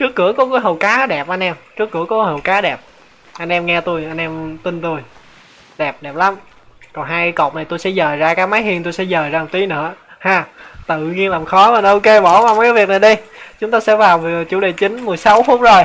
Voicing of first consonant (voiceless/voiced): voiceless